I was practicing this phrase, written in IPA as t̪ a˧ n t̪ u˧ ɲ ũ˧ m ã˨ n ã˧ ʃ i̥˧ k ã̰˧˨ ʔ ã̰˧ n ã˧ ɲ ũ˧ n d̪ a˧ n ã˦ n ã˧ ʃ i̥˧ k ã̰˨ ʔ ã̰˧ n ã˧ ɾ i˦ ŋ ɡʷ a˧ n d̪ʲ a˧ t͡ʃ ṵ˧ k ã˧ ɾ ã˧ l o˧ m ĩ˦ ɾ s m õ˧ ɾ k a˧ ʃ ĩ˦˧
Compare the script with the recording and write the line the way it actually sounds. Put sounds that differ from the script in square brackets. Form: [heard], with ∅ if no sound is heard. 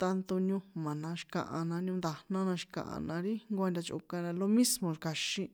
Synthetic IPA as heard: t̪ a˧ n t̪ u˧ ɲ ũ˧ m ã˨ n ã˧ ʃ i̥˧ k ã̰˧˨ ʔ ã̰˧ n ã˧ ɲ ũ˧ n d̪ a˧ n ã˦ n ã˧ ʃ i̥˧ k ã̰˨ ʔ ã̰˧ n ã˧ ɾ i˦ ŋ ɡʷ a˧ n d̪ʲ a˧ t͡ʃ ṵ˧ k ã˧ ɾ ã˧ l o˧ m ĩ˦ [∅] s m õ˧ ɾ k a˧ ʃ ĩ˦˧